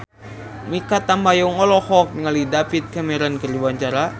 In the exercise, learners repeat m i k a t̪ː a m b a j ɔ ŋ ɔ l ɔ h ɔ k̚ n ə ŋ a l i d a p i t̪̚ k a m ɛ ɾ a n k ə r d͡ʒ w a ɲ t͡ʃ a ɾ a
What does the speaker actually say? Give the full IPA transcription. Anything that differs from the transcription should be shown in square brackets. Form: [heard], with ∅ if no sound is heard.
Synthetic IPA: m i k a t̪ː a m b a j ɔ ŋ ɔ l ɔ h ɔ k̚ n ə ŋ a l i d a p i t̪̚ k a m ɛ ɾ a n k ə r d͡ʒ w a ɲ t͡ʃ a ɾ a